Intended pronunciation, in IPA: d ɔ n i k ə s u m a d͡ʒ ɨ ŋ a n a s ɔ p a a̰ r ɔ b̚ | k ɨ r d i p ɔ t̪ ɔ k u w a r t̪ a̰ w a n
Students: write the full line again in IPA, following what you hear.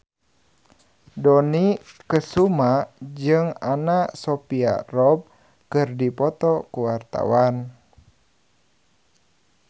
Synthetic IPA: d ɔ n i k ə s u m a d͡ʒ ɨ ŋ a n a s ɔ p i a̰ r ɔ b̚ | k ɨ r d i p ɔ t̪ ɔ k u w a r t̪ a̰ w a n